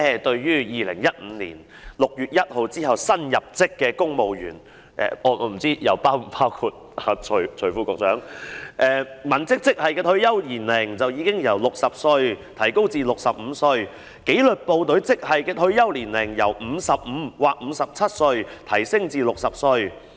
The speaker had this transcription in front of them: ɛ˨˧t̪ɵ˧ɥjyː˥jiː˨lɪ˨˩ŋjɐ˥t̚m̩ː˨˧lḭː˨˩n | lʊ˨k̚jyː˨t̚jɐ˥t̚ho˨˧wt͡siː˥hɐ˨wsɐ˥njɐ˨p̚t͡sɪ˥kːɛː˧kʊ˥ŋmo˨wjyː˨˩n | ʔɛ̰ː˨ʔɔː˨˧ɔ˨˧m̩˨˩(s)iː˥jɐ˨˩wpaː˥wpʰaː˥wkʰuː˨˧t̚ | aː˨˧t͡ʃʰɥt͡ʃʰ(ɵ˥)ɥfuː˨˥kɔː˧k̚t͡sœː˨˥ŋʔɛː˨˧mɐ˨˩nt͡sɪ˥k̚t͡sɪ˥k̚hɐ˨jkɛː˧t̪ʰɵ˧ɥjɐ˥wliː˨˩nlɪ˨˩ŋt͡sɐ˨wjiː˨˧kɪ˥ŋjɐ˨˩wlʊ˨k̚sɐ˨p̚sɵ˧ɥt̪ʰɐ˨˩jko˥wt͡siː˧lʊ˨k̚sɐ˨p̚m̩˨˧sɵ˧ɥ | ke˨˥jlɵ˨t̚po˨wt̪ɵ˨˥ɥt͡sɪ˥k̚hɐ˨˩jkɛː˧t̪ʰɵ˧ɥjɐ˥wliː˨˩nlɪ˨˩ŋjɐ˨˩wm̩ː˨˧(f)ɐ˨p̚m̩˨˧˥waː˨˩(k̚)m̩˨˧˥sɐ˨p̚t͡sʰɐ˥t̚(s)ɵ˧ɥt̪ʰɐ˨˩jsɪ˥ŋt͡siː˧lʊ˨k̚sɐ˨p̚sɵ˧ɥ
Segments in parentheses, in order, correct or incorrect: incorrect: t͡s, incorrect: ɵ˨˩, incorrect: s, correct, correct

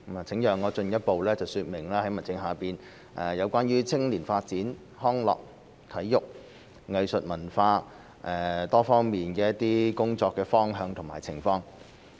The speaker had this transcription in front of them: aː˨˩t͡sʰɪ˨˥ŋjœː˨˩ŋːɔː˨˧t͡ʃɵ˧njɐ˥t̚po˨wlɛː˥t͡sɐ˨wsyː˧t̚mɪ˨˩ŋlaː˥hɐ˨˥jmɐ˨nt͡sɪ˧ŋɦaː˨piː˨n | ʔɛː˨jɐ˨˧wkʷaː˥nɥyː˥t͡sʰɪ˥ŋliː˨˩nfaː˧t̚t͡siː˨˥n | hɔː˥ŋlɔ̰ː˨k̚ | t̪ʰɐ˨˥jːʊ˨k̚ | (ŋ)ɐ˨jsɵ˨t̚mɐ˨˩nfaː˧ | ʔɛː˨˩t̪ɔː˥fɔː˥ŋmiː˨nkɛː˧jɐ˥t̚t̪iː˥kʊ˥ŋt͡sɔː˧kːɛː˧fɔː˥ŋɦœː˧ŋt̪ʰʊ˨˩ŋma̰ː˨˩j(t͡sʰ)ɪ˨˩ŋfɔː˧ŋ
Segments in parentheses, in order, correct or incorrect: correct, correct

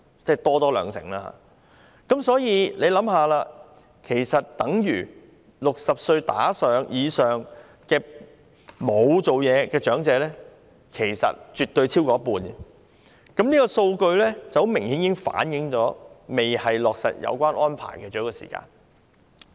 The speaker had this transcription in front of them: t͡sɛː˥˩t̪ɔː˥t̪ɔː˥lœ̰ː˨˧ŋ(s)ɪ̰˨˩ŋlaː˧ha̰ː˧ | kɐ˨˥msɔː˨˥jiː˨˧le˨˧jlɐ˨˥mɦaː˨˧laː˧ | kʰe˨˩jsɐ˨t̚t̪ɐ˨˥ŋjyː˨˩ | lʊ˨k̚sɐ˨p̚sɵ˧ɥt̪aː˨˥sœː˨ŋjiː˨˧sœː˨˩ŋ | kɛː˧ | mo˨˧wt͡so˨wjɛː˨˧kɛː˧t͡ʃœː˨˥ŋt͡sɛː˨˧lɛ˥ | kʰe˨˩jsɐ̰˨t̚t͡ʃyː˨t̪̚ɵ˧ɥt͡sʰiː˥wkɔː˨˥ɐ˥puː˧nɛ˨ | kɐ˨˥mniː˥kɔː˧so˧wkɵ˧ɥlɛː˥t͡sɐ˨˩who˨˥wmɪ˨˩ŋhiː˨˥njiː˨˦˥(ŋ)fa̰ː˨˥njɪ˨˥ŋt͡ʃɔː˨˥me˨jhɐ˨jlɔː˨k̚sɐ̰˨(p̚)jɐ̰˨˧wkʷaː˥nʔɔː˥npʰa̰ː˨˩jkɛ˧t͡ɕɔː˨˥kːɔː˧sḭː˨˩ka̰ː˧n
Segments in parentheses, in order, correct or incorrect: correct, correct, incorrect: t̚

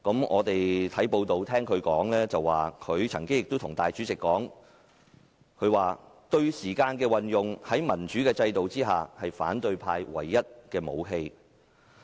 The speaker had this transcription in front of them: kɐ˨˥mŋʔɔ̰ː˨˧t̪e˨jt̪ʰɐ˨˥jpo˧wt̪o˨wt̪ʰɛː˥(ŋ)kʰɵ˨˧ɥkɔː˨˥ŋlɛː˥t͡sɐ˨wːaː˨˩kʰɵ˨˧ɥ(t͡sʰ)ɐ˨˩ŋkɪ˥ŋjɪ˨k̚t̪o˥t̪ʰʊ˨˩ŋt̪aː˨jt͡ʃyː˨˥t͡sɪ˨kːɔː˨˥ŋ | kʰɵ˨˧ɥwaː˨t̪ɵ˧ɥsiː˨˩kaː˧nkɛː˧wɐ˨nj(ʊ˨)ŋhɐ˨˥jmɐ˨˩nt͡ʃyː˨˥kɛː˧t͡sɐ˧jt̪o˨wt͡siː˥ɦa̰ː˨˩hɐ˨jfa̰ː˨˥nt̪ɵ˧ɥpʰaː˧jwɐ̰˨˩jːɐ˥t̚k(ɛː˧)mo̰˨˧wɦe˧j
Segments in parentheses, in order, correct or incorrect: correct, correct, correct, correct

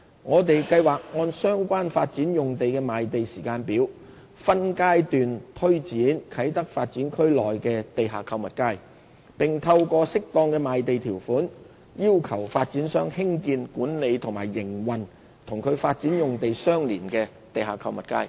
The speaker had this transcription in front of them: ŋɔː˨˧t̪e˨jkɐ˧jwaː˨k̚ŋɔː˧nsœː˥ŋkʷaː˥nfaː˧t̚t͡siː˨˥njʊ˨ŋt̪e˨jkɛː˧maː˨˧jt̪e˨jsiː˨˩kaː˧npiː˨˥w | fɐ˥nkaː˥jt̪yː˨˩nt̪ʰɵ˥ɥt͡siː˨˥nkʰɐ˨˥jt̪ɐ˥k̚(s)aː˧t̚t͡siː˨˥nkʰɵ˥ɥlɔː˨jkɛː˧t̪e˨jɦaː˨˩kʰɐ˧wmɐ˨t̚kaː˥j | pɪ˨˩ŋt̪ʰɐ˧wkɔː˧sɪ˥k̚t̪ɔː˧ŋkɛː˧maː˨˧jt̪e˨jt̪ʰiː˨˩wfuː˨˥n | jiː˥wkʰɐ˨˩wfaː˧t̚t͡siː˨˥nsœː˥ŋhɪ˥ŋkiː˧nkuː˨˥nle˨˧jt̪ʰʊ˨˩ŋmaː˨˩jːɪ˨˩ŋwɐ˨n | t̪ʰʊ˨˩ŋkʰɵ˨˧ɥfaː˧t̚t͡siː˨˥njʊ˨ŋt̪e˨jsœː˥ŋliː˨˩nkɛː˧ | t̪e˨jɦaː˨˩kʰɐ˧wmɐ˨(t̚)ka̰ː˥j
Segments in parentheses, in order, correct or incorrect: incorrect: f, correct

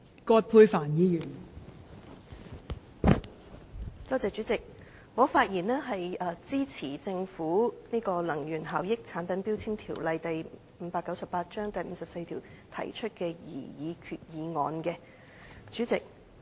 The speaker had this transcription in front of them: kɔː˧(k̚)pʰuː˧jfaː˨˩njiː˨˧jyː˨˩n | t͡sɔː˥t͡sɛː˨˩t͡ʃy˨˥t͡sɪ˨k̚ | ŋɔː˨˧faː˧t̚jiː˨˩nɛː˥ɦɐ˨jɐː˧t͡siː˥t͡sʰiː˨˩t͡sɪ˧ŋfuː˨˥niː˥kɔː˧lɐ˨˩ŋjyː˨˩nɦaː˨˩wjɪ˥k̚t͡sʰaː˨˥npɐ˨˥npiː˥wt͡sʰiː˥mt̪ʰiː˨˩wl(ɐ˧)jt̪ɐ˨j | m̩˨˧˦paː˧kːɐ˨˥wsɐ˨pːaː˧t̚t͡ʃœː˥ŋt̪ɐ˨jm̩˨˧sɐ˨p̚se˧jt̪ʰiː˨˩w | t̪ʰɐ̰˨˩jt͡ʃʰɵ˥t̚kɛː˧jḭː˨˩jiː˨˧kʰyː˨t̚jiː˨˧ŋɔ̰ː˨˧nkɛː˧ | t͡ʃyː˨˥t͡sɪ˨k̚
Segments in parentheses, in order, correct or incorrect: incorrect: t̚, correct

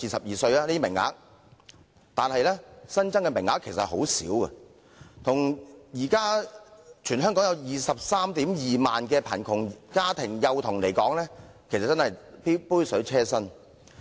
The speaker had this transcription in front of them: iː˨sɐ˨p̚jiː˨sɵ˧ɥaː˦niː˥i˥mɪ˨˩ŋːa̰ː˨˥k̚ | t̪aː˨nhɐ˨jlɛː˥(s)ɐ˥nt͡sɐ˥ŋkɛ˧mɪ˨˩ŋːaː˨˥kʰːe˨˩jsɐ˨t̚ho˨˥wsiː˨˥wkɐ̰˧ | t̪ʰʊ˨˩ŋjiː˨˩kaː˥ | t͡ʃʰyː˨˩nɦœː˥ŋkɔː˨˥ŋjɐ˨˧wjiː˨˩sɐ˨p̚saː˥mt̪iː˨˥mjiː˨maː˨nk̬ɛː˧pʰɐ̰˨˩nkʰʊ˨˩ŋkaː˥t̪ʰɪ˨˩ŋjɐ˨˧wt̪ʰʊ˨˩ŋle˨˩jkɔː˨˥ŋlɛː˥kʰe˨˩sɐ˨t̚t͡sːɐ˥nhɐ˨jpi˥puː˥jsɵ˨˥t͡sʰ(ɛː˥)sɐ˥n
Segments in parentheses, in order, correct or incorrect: correct, correct

